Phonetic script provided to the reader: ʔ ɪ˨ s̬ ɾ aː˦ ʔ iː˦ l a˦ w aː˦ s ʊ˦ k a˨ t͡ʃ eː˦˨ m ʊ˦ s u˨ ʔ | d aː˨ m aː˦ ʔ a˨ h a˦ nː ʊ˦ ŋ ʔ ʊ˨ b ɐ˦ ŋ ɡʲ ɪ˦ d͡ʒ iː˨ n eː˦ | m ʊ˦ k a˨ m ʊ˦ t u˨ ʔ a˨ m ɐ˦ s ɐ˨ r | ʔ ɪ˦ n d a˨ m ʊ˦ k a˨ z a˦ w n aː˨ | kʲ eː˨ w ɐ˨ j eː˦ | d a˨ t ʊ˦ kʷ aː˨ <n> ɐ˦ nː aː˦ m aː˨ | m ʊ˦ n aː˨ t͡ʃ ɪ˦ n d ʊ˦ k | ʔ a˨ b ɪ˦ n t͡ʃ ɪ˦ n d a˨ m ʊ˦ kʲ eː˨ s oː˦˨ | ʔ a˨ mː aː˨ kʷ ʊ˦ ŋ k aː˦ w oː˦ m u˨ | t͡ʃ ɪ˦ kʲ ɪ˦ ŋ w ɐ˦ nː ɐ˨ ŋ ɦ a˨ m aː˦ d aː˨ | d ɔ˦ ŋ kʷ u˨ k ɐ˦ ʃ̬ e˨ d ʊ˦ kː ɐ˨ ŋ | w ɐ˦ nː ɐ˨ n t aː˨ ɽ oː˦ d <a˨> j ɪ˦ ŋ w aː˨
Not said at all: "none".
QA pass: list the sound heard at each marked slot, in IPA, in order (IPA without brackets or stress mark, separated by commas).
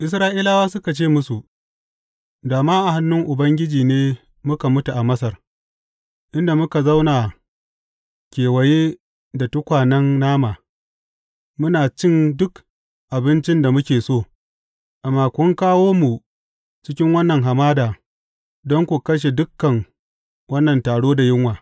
n, a˨